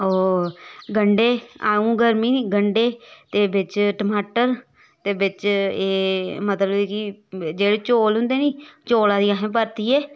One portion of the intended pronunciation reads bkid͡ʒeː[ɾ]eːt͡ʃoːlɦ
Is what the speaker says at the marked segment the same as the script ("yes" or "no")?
no